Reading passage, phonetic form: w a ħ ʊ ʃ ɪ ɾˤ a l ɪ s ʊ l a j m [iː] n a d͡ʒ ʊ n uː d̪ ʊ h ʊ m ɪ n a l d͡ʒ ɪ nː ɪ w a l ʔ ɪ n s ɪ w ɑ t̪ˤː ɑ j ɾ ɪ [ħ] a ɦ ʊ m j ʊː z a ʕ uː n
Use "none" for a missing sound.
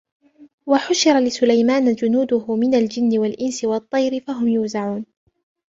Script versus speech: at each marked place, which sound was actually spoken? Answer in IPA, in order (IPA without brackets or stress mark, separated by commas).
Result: aː, f